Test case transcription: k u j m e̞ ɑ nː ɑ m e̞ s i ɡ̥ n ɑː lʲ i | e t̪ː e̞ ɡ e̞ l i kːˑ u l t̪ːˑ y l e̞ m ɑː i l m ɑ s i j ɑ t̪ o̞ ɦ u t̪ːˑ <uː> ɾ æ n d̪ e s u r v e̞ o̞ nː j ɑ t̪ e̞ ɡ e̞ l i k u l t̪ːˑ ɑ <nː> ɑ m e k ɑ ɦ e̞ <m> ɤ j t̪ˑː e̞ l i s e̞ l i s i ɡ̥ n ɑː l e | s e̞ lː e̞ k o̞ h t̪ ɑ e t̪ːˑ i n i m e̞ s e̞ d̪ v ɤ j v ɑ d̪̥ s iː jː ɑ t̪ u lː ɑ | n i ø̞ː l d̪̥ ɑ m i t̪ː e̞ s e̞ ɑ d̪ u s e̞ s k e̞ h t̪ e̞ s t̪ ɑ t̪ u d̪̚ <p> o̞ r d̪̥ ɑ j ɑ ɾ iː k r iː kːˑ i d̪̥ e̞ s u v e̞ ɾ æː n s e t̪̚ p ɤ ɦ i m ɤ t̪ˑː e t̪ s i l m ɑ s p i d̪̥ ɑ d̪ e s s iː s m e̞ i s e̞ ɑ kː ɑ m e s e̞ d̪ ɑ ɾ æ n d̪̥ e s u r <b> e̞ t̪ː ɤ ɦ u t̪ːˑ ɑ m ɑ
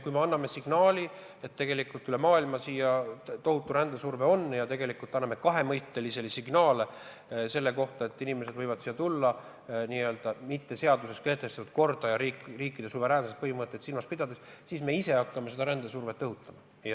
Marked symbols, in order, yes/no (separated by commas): no, yes, yes, no, no